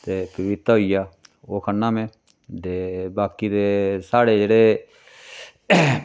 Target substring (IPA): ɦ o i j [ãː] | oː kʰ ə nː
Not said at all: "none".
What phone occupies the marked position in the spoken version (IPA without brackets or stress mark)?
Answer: aː